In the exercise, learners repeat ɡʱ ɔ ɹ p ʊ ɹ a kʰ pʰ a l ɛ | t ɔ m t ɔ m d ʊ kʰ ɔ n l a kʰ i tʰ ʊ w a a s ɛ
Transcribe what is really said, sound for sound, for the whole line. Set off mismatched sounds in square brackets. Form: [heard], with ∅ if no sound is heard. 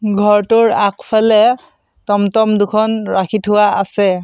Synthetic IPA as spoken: ɡʱ ɔ ɹ [t] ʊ ɹ a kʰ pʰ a l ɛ | t ɔ m t ɔ m d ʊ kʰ ɔ n [ɹ] a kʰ i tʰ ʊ w a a s ɛ